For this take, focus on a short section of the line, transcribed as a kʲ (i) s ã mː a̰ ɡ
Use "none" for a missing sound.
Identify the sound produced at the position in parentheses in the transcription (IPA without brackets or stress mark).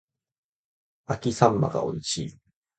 i